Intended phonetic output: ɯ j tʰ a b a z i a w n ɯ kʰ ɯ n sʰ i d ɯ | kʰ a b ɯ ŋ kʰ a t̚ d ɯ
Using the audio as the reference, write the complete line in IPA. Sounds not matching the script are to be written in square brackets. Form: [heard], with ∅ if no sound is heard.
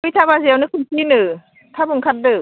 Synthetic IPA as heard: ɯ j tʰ a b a z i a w n ɯ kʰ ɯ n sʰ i [n] ɯ | [tʰ] a b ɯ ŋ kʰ a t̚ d ɯ